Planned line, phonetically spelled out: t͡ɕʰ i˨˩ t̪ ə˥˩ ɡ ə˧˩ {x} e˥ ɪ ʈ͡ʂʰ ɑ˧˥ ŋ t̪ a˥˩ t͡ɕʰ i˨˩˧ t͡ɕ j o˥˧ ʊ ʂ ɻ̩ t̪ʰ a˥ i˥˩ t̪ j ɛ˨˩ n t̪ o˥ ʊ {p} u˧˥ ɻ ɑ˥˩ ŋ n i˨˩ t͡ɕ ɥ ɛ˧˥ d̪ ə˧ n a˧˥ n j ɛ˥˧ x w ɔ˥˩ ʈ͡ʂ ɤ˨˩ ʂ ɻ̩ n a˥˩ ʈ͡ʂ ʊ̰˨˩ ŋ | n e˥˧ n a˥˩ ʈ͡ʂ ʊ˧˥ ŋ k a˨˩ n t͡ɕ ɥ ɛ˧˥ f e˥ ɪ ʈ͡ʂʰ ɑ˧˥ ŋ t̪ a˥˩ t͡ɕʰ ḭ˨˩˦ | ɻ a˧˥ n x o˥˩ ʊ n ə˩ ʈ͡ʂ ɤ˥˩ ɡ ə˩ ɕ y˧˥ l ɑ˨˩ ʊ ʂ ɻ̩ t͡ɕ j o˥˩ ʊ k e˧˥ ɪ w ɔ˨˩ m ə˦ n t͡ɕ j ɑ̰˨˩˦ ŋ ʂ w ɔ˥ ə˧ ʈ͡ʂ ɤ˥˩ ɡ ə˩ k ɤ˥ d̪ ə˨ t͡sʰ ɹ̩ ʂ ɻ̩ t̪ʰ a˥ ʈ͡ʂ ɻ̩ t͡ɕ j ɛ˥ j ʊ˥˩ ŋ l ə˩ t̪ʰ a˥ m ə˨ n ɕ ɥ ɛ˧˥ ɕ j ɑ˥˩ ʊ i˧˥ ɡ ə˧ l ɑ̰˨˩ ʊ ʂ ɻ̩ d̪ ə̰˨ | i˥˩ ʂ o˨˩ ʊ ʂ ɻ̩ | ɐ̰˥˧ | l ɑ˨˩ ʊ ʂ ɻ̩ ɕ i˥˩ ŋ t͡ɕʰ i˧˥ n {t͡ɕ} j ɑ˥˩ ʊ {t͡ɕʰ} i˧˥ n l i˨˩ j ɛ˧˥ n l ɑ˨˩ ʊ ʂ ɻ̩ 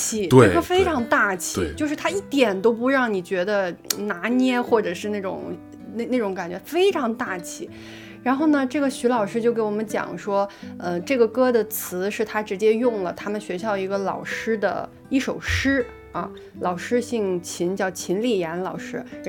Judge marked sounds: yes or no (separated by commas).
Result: no, yes, yes, yes